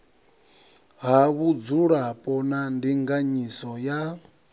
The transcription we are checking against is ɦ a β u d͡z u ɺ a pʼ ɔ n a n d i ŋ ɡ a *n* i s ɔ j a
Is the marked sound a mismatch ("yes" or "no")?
yes